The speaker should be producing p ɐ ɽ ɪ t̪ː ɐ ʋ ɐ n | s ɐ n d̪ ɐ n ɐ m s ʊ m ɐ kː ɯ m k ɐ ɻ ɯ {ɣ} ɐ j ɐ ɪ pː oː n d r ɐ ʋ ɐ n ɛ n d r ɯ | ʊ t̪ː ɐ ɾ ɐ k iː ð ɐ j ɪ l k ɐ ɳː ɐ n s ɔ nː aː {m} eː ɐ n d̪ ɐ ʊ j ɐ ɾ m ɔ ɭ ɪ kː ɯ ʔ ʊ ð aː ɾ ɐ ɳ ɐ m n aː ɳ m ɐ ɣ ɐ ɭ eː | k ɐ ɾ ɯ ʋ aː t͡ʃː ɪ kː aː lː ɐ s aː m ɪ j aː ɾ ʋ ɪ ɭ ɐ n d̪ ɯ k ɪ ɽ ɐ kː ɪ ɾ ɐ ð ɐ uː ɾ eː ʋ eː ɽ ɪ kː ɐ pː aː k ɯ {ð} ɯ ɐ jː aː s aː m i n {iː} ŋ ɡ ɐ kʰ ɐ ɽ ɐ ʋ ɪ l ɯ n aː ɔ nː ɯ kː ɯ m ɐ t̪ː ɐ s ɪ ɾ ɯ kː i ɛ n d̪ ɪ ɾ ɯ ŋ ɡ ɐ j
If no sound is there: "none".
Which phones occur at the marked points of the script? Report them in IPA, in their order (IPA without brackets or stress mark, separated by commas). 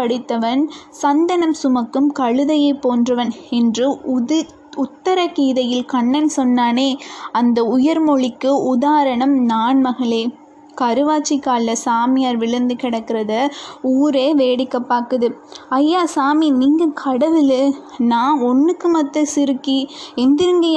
ð, n, ð, iː